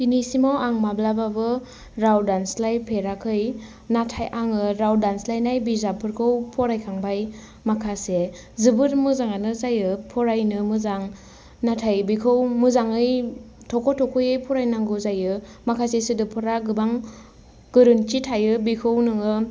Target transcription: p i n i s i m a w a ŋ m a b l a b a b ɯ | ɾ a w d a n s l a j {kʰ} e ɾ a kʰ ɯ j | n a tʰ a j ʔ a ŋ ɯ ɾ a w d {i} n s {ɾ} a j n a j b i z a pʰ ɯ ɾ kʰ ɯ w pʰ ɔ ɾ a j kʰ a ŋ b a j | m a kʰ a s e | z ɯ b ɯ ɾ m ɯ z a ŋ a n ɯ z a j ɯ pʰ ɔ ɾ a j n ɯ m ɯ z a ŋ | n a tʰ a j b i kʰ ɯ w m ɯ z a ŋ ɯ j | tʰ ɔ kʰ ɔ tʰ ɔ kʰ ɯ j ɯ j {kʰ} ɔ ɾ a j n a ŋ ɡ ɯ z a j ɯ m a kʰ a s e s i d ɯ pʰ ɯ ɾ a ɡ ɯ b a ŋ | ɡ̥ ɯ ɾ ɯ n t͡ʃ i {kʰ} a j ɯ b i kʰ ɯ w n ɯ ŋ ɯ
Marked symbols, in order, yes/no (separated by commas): no, no, no, no, no